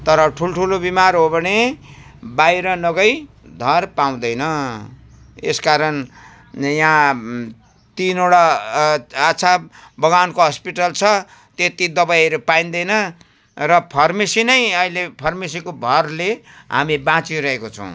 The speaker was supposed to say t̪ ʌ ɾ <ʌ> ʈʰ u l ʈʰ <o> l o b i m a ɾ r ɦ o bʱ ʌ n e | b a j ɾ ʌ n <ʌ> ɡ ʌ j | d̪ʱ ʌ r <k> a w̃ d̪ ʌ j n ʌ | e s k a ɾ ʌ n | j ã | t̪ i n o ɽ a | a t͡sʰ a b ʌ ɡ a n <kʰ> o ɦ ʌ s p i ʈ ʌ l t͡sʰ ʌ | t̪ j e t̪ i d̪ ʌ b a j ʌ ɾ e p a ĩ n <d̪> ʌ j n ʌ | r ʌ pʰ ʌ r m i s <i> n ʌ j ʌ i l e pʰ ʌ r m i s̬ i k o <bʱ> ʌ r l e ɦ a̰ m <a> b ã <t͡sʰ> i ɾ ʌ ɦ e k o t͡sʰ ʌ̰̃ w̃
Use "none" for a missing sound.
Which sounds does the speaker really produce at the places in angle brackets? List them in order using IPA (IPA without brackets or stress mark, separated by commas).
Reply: ʌ, u, ʌ, p, k, d̪, i, bʱ, i, t͡s